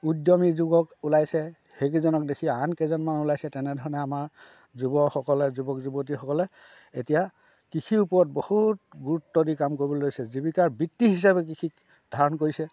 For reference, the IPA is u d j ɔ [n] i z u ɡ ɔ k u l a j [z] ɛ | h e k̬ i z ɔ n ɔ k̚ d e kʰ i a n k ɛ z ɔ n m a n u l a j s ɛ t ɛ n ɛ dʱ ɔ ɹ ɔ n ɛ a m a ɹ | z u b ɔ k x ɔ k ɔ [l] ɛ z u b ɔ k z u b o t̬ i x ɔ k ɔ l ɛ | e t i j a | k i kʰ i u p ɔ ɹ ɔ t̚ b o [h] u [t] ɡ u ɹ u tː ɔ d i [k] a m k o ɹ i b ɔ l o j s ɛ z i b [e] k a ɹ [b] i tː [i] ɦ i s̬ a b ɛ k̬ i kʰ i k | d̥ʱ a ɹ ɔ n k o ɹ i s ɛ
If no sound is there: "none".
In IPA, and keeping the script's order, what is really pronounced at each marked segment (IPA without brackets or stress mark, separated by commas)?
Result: m, s, l, h, t, k, i, b, i